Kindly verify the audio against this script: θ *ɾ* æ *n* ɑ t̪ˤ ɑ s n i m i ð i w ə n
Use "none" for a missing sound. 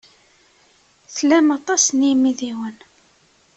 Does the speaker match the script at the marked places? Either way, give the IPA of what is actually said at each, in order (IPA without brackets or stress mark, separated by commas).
l, m